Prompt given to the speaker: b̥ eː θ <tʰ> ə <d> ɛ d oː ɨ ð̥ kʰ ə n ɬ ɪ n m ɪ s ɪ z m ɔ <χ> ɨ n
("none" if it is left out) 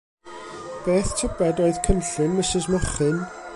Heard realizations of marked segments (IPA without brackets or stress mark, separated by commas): tʰ, b, χ